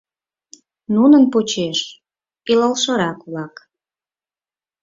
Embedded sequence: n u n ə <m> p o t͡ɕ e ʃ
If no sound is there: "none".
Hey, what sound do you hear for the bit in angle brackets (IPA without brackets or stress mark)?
n